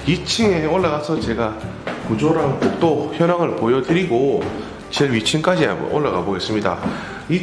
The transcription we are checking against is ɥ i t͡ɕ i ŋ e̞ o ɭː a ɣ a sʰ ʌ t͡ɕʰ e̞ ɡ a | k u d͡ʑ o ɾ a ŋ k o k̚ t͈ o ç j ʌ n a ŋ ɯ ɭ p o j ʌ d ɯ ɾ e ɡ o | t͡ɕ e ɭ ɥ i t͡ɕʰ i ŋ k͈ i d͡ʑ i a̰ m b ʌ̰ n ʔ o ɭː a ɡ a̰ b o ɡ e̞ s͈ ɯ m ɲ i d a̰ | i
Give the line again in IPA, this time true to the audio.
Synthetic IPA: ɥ i t͡ɕʰ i ŋ e̞ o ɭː a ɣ a sʰ ʌ t͡ɕ e̞ ɡ a | k u d͡ʑ o ɾ a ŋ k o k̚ t͈ o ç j ʌ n a ŋ ɯ ɭ p o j ʌ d ɯ ɾ i ɡ o | t͡ɕ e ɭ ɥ i t͡ɕʰ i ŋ k͈ a d͡ʑ i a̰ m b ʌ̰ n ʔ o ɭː a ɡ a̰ b o ɡ e̞ s͈ ɯ m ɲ i d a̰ | i

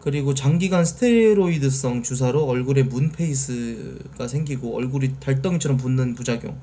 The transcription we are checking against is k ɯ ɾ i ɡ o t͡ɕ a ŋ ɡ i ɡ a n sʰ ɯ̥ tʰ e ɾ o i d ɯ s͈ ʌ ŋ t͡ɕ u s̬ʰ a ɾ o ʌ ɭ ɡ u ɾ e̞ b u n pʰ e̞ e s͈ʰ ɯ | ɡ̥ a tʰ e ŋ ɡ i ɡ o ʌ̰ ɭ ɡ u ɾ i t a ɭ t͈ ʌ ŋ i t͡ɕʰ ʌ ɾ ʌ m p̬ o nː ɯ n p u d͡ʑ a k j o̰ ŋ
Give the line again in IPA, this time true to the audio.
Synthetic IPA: k ɯ ɾ i ɡ o t͡ɕ a ŋ ɡ i ɡ a n sʰ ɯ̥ tʰ e ɾ o i d ɯ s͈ ʌ ŋ t͡ɕ u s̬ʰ a ɾ o ʌ ɭ ɡ u ɾ e̞ m u n pʰ e̞ i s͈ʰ ɯ | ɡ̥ a sʰ e ŋ ɡ i ɡ o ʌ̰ ɭ ɡ u ɾ i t a ɭ t͈ ʌ ŋ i t͡ɕʰ ʌ ɾ ʌ m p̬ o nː ɯ n p u d͡ʑ a ɡ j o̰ ŋ

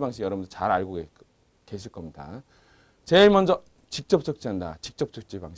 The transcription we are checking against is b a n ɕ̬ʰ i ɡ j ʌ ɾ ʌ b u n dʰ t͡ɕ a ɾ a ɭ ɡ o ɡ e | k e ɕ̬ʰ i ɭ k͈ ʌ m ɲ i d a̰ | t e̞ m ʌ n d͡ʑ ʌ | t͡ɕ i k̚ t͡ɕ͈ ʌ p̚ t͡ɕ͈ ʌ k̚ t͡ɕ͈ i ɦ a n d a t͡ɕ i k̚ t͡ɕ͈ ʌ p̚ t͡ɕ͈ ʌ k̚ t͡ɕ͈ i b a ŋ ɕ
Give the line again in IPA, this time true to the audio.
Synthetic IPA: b a ŋ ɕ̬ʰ i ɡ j ʌ ɾ ʌ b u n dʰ t͡ɕ a ɾ a ɭ ɡ o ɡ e | k e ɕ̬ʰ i ɭ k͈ ʌ m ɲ i d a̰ | t͡ɕ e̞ m ʌ n d͡ʑ ʌ | t͡ɕ i k̚ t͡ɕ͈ ʌ p̚ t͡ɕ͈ ʌ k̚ t͡ɕ͈ i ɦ a n d a t͡ɕ i k̚ t͡ɕ͈ ʌ p̚ t͡ɕ͈ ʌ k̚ t͡ɕ͈ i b a ŋ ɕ

